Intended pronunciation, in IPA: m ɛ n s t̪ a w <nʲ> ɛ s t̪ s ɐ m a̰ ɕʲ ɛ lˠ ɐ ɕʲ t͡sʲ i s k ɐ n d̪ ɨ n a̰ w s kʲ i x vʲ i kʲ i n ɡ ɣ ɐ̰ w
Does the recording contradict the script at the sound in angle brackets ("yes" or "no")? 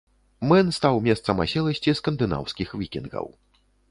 yes